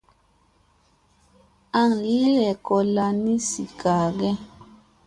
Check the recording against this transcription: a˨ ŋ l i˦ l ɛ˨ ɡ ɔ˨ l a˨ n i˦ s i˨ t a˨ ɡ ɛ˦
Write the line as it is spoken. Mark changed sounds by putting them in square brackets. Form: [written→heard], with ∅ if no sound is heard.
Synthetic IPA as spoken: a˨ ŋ l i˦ l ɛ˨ [ɡ→k] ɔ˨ l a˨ n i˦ s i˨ [t→k] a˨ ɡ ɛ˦